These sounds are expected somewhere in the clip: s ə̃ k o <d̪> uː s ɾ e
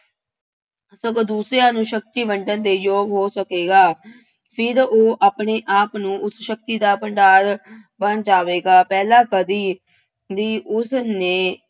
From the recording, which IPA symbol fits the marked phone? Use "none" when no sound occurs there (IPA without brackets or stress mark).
d̪